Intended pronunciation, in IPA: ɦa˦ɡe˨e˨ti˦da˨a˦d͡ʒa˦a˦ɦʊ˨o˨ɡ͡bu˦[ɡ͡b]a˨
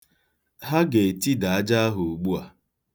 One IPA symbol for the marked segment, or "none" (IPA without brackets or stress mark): none